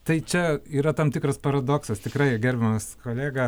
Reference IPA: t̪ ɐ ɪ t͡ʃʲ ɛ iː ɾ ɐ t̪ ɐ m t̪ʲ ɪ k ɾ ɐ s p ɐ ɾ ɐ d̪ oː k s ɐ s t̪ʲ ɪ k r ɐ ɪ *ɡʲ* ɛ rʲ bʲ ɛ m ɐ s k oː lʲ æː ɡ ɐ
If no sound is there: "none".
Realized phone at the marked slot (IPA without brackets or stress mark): ɡʲ